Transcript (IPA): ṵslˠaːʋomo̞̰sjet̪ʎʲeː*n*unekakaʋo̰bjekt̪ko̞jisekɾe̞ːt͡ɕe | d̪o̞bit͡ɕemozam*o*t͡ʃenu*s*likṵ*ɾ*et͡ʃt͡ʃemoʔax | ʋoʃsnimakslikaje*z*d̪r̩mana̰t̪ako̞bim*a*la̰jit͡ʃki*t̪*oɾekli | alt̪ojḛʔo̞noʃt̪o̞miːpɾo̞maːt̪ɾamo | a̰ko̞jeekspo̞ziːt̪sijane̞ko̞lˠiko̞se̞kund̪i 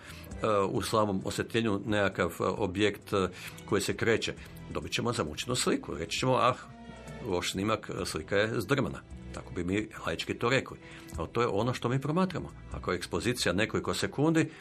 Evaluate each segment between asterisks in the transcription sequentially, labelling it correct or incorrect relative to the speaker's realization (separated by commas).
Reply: incorrect, incorrect, correct, correct, correct, incorrect, correct